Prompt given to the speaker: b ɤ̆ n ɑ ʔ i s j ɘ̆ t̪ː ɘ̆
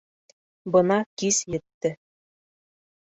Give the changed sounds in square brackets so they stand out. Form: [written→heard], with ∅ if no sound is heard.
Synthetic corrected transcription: b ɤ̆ n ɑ [ʔ→k] i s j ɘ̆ t̪ː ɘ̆